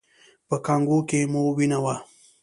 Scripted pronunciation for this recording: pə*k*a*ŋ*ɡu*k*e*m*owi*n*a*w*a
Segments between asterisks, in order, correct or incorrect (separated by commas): correct, correct, correct, correct, correct, correct